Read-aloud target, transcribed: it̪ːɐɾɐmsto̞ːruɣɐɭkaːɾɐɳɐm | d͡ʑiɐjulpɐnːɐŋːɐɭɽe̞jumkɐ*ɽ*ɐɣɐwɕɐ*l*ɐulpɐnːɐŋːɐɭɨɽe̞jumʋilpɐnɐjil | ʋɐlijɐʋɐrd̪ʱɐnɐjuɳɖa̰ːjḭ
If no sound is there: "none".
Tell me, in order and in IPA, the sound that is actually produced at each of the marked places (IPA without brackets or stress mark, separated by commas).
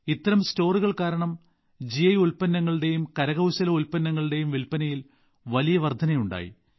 ɾ, l